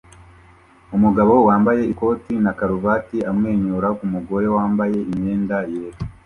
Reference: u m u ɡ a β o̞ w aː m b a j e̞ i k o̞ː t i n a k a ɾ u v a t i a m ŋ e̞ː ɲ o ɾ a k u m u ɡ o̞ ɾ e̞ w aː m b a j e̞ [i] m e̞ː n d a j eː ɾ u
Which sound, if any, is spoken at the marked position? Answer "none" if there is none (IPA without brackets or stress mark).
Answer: i